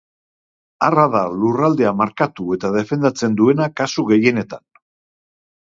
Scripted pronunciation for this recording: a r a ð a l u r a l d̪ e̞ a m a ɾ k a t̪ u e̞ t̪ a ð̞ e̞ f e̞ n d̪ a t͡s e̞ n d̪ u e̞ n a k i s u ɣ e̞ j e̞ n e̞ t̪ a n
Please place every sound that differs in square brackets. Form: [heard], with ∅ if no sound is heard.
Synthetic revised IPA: a r a ð a l u r a l d̪ e̞ a m a ɾ k a t̪ u e̞ t̪ a ð̞ e̞ f e̞ n d̪ a t͡s e̞ n d̪ u e̞ n a k [a] s u ɣ e̞ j e̞ n e̞ t̪ a n